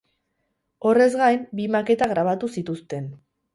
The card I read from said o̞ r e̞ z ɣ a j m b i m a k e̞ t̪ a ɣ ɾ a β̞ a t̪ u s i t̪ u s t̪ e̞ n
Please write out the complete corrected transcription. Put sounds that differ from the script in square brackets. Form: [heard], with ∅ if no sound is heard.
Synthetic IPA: o̞ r e̞ z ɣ a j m b i m a k e̞ t̪ a ɣ ɾ a β̞ a t̪ u s i t̪ u s t̪ e̞ n